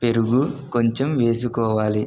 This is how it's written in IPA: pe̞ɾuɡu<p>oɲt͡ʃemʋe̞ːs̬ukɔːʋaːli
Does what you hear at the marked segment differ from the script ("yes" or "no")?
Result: yes